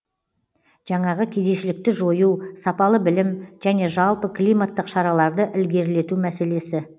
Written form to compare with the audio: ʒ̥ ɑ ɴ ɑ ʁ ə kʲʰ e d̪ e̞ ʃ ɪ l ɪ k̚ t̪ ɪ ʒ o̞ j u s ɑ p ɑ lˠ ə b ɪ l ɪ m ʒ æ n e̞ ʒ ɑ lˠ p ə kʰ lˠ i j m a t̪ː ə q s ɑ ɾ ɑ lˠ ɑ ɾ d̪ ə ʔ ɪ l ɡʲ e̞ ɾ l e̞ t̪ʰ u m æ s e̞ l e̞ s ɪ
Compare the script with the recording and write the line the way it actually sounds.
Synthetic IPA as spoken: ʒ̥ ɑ ɴ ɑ ʁ ə kʲʰ e d̪ e̞ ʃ ɪ l ɪ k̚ t̪ ɪ ʒ o̞ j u s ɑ p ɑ lˠ ə b ɪ l ɪ m ʒ æ n e̞ ʒ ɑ lˠ p ə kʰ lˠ i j m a t̪ː ə q ʃ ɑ ɾ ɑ lˠ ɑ ɾ d̪ ə ʔ ɪ l ɡʲ e̞ ɾ l e̞ t̪ u m æ s e̞ l e̞ s ɪ